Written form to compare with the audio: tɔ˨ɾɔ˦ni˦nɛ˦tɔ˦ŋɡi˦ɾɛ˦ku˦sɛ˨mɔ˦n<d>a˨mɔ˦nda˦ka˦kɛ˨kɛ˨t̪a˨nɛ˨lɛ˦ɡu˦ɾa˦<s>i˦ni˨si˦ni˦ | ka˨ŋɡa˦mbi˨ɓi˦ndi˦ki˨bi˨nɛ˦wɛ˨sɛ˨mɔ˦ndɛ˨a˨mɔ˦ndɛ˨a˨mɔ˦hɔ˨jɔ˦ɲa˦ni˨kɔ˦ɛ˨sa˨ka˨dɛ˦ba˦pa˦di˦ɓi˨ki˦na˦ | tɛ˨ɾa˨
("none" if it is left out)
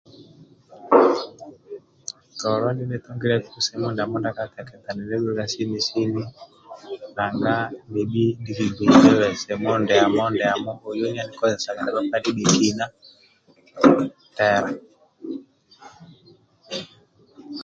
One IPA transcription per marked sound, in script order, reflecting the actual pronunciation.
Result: d, s

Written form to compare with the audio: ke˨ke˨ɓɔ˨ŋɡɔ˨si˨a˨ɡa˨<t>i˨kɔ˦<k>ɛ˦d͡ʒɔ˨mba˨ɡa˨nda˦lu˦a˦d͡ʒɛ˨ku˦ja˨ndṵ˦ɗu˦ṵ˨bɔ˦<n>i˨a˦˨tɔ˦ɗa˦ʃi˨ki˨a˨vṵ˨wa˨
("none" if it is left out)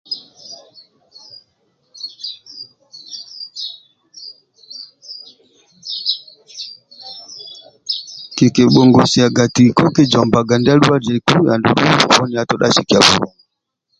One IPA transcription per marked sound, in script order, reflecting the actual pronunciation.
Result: t, k, n

